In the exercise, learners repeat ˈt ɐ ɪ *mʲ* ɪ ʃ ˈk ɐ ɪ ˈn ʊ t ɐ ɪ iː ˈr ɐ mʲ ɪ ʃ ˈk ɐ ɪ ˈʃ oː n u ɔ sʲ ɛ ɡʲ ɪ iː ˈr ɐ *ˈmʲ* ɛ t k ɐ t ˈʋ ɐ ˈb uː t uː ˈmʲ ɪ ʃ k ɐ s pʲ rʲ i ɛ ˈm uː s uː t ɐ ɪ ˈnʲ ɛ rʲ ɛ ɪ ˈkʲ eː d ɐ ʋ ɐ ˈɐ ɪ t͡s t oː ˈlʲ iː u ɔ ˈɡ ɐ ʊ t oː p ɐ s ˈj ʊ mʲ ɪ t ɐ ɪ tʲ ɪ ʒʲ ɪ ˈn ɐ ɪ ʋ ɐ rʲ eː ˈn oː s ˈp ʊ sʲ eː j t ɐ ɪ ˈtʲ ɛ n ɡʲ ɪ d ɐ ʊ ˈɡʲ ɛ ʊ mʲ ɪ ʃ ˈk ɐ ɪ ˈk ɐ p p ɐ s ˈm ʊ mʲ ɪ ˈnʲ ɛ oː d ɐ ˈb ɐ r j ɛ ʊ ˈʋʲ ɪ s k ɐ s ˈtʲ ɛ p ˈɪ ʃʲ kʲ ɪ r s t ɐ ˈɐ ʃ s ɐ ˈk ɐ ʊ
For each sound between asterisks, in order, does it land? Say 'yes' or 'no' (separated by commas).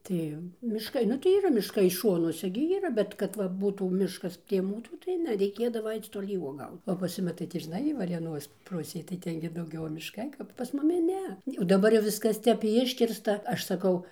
yes, no